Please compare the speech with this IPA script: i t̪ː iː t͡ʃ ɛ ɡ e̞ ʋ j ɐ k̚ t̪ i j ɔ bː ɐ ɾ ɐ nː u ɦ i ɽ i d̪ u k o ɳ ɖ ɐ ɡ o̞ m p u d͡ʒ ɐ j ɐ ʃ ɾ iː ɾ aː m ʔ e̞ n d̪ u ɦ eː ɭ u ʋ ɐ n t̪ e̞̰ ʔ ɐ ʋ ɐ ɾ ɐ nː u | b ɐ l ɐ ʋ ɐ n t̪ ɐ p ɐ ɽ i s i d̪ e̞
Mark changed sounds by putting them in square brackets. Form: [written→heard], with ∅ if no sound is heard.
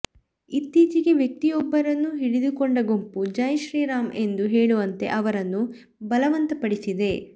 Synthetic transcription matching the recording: i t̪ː iː t͡ʃ [ɛ→i] ɡ e̞ ʋ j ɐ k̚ t̪ i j ɔ bː ɐ ɾ ɐ nː u ɦ i ɽ i d̪ u k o ɳ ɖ ɐ ɡ o̞ m p u d͡ʒ ɐ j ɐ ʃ ɾ iː ɾ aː m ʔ e̞ n d̪ u ɦ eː ɭ u ʋ ɐ n t̪ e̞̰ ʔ ɐ ʋ ɐ ɾ ɐ nː u | b ɐ l ɐ ʋ ɐ n t̪ ɐ p ɐ ɽ i s i d̪ e̞

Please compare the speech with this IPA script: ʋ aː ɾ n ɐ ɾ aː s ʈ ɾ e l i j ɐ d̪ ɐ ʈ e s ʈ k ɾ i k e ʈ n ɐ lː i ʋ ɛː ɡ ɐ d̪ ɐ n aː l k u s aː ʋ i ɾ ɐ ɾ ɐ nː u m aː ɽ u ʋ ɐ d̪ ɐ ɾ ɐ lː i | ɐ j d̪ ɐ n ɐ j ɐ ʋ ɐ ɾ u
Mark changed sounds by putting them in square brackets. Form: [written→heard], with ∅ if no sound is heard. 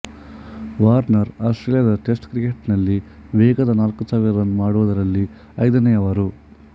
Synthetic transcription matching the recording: ʋ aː ɾ n ɐ ɾ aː s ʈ ɾ e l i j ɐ d̪ ɐ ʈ e s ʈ k ɾ i k e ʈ n ɐ lː i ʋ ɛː ɡ ɐ d̪ ɐ n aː l k u s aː ʋ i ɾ ɐ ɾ ɐ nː u m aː ɽ u ʋ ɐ d̪ ɐ ɾ ɐ lː i | ɐ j d̪ ɐ n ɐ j ɐ ʋ ɐ ɾ u

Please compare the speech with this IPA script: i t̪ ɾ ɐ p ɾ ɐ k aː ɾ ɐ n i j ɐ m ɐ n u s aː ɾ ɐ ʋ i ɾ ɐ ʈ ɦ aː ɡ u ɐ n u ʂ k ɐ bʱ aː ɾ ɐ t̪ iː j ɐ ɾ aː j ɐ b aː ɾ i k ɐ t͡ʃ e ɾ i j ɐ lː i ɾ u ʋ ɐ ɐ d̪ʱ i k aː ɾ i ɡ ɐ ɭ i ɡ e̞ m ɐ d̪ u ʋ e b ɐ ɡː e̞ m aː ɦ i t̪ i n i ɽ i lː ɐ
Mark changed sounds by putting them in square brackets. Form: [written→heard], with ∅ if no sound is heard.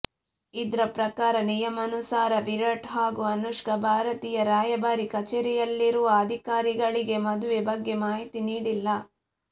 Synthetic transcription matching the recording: i [t̪→d̪] ɾ ɐ p ɾ ɐ k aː ɾ ɐ n i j ɐ m ɐ n u s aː ɾ ɐ ʋ i ɾ ɐ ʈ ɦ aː ɡ u ɐ n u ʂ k ɐ bʱ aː ɾ ɐ t̪ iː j ɐ ɾ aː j ɐ b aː ɾ i k ɐ t͡ʃ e ɾ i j ɐ lː i ɾ u ʋ ɐ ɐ d̪ʱ i k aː ɾ i ɡ ɐ ɭ i ɡ e̞ m ɐ d̪ u ʋ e b ɐ ɡː e̞ m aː ɦ i t̪ i n [i→iː] ɽ i lː ɐ

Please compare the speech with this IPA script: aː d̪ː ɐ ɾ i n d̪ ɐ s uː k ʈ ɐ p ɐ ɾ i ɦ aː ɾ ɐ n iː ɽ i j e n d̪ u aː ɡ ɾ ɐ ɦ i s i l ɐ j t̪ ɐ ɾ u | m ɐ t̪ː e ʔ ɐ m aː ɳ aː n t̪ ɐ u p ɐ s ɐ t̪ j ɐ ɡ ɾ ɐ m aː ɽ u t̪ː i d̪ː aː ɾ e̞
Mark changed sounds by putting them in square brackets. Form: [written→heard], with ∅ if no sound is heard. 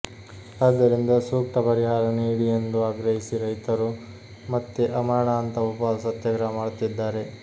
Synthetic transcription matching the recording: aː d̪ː ɐ ɾ i n d̪ ɐ s uː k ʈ ɐ p ɐ ɾ i ɦ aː ɾ ɐ n iː ɽ i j e n d̪ u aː ɡ ɾ ɐ ɦ i s i [l→ɾ] ɐ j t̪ ɐ ɾ u | m ɐ t̪ː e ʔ ɐ m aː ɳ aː n t̪ ɐ u p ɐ s ɐ t̪ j ɐ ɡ ɾ ɐ m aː ɽ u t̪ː i d̪ː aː ɾ e̞

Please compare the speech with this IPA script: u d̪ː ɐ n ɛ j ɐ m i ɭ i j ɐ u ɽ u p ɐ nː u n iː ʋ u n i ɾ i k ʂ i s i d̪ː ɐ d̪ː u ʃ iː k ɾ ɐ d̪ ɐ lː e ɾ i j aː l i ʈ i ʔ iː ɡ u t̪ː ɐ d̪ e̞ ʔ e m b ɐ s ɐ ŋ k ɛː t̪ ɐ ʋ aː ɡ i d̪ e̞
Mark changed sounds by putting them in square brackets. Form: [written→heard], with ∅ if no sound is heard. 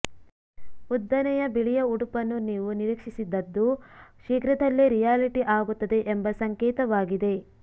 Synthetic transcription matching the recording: u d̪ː ɐ n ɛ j ɐ [m→b] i ɭ i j ɐ u ɽ u p ɐ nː u n iː ʋ u n i ɾ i k ʂ i s i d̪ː ɐ d̪ː u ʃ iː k ɾ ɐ d̪ ɐ lː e ɾ i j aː l i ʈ i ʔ [iː→aː] ɡ u t̪ː ɐ d̪ e̞ ʔ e m b ɐ s ɐ ŋ k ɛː t̪ ɐ ʋ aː ɡ i d̪ e̞

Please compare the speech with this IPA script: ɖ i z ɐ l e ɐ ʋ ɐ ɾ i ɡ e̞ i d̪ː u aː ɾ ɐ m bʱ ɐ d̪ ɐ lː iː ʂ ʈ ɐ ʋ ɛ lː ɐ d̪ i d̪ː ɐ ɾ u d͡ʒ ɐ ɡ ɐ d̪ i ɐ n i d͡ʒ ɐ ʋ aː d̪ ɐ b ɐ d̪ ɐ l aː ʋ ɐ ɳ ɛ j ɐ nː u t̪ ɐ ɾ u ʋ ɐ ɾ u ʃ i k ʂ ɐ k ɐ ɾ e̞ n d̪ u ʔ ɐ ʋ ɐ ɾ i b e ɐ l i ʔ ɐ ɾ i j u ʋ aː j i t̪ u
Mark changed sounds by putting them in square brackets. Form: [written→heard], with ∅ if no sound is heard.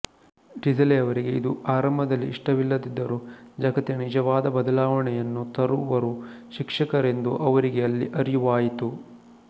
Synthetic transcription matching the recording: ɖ i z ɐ l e ɐ ʋ ɐ ɾ i ɡ e̞ i [d̪ː→d̪] u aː ɾ ɐ m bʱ ɐ d̪ ɐ lː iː ʂ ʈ ɐ ʋ [ɛ→i] lː ɐ d̪ i d̪ː ɐ ɾ u d͡ʒ ɐ ɡ ɐ [d̪→t̪] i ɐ n i d͡ʒ ɐ ʋ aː d̪ ɐ b ɐ d̪ ɐ l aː ʋ ɐ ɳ ɛ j ɐ nː u t̪ ɐ ɾ u ʋ ɐ ɾ u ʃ i k ʂ ɐ k ɐ ɾ e̞ n d̪ u ʔ ɐ ʋ ɐ ɾ i [b→ɡ] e ɐ [l→lː] i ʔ ɐ ɾ i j u ʋ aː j i t̪ u

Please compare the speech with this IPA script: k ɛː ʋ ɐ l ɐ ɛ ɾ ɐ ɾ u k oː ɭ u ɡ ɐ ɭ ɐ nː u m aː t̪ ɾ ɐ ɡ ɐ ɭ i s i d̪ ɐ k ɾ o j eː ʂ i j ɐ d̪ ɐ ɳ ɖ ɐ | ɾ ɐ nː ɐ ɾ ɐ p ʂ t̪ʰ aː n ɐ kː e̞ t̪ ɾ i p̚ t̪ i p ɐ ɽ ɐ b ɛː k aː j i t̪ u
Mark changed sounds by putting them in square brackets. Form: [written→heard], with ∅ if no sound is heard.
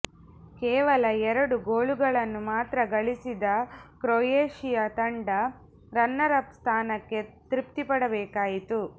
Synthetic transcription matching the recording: k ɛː ʋ ɐ l ɐ ɛ ɾ ɐ [ɾ→ɽ] u [k→ɡ] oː ɭ u ɡ ɐ ɭ ɐ nː u m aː t̪ ɾ ɐ ɡ ɐ ɭ i s i d̪ ɐ k ɾ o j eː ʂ i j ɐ [d̪→t̪] ɐ ɳ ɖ ɐ | ɾ ɐ nː ɐ ɾ ɐ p [ʂ→s] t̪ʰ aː n ɐ kː e̞ t̪ ɾ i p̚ t̪ i p ɐ ɽ ɐ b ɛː k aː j i t̪ u

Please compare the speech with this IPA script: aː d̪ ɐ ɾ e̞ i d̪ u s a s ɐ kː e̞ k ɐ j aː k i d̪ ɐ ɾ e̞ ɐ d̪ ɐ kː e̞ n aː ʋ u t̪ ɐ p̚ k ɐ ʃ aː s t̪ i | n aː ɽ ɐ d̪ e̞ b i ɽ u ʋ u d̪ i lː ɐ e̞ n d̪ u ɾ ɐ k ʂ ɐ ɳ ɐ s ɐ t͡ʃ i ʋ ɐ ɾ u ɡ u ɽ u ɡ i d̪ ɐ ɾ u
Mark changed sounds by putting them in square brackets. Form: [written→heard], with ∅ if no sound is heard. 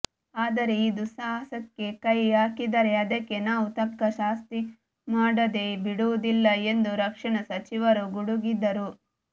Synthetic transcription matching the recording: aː d̪ ɐ ɾ e̞ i d̪ u s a s ɐ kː e̞ k ɐ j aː k i d̪ ɐ ɾ e̞ ɐ d̪ ɐ kː e̞ n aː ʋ u t̪ ɐ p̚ k ɐ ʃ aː s t̪ i | [n→m] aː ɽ ɐ d̪ e̞ b i ɽ u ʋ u d̪ i lː ɐ e̞ n d̪ u ɾ ɐ k ʂ ɐ ɳ ɐ s ɐ t͡ʃ i ʋ ɐ ɾ u ɡ u ɽ u ɡ i d̪ ɐ ɾ u

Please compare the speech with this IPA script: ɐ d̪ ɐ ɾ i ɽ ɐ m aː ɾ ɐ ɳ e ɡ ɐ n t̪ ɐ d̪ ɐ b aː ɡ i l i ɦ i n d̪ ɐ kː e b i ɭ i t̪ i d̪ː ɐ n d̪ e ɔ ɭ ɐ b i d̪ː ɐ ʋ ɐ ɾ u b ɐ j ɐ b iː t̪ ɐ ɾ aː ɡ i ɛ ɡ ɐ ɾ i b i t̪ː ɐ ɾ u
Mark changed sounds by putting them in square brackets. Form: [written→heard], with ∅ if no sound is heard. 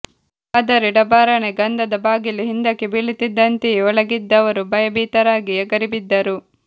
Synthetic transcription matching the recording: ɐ d̪ ɐ ɾ i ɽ ɐ [m→b] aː ɾ ɐ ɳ e ɡ ɐ n [t̪→d̪] ɐ d̪ ɐ b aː ɡ i l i ɦ i n d̪ ɐ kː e b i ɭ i t̪ i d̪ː ɐ n [d̪→t̪] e ɔ ɭ ɐ [b→ɡ] i d̪ː ɐ ʋ ɐ ɾ u b ɐ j ɐ b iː t̪ ɐ ɾ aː ɡ i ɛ ɡ ɐ ɾ i b i [t̪ː→d̪ː] ɐ ɾ u

